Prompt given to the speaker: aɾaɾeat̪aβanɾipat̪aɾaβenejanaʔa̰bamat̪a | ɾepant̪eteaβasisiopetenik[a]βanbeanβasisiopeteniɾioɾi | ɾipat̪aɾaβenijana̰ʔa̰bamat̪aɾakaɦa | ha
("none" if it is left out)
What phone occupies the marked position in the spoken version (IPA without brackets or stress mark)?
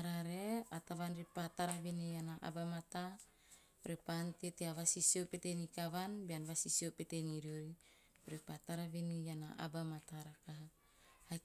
a